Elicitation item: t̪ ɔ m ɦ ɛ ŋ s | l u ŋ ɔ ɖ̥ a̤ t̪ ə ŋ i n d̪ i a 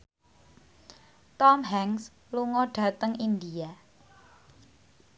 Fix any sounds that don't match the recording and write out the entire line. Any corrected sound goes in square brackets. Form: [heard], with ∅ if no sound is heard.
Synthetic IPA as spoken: t̪ ɔ m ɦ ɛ ŋ s | l u ŋ ɔ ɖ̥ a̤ t̪ ə ŋ i n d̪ i a